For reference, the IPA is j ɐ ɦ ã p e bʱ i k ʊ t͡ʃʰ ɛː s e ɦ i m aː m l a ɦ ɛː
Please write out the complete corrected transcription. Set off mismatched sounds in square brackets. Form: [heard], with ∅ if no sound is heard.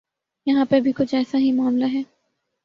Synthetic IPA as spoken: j ɐ ɦ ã p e bʱ i k ʊ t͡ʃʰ ɛː s [a] ɦ i m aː m l a ɦ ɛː